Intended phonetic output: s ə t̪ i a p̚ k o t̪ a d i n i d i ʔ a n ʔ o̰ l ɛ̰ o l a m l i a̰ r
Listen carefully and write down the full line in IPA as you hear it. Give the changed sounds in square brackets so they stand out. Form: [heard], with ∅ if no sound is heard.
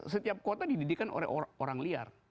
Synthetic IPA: s ə t̪ i a p̚ k o t̪ a d i [d] i d i [k] a n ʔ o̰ l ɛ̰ o [ɾ] a [ŋ] l i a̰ r